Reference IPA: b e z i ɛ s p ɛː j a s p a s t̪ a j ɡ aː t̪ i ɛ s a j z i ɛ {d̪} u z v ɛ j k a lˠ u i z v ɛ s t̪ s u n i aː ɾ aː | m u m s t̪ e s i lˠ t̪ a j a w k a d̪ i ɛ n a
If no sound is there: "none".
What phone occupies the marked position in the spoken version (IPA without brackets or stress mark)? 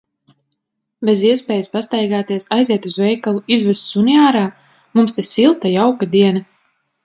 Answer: t̪